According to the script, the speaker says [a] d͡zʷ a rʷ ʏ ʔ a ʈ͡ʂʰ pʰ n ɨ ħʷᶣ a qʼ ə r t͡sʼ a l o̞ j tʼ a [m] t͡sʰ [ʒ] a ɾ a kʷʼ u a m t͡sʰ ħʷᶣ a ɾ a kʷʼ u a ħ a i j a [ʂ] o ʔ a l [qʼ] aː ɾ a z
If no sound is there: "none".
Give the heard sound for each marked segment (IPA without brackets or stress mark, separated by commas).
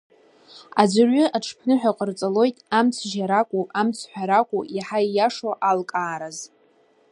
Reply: a, m, ʒ, ʂ, kʼ